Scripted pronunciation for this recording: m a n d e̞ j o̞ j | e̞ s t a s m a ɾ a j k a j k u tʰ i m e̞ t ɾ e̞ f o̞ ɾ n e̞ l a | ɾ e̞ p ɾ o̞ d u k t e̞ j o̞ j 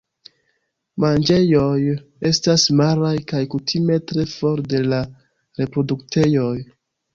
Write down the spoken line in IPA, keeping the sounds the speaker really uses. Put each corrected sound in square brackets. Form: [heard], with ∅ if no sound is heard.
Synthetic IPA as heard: m a n [d͡ʒ] e̞ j o̞ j | e̞ s t a s m a ɾ a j k a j k u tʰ i m e̞ t ɾ e̞ f o̞ ɾ [d] e̞ l a | ɾ e̞ p ɾ o̞ d u k t e̞ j o̞ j